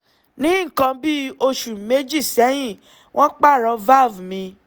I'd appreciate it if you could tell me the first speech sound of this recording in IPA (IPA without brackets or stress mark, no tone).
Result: n